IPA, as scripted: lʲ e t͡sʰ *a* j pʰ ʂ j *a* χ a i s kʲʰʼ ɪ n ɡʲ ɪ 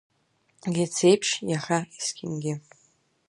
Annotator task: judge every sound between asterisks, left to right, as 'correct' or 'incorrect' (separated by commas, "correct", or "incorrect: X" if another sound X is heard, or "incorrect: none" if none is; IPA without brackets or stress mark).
incorrect: e, correct